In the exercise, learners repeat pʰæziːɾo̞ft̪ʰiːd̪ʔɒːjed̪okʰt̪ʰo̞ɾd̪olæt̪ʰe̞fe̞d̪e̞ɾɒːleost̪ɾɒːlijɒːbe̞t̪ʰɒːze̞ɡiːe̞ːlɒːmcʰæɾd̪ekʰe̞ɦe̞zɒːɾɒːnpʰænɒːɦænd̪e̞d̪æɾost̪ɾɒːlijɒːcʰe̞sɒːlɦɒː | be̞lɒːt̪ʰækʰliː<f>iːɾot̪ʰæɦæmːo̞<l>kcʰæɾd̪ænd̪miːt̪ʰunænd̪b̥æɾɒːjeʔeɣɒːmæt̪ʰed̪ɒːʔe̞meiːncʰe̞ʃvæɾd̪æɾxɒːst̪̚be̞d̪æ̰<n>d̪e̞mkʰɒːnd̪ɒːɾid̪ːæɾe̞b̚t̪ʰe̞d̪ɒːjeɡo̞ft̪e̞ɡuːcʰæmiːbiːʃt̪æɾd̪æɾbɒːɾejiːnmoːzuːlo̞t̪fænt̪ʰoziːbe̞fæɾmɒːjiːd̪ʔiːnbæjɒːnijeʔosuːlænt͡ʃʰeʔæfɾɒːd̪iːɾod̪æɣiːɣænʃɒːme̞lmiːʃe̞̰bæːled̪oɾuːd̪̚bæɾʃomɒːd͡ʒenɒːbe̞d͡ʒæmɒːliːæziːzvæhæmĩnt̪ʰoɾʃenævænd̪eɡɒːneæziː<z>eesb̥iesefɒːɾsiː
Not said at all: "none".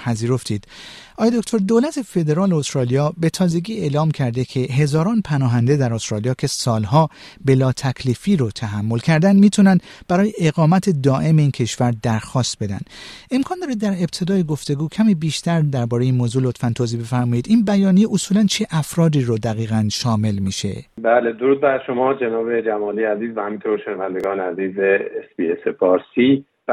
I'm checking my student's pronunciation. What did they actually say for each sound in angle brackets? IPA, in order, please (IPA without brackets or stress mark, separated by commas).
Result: f, l, n, z